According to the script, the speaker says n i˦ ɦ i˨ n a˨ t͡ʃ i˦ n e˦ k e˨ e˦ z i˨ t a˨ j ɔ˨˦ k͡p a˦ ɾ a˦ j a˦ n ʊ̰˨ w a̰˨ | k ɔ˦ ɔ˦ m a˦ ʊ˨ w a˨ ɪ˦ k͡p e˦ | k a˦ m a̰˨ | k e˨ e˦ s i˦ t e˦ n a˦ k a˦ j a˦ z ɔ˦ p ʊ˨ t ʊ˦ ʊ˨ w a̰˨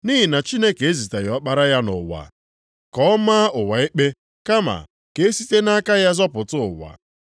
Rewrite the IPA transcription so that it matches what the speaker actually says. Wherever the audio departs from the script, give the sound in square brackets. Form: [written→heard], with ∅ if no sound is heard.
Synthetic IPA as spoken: n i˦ ɦ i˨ n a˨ t͡ʃ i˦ n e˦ k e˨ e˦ z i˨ t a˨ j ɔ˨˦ k͡p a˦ ɾ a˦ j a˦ n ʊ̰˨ w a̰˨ | k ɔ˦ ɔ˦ m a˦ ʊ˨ w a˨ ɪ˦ k͡p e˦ | k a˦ m a̰˨ | k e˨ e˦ s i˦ t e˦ n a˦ k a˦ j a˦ z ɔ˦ p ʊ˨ t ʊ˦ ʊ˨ w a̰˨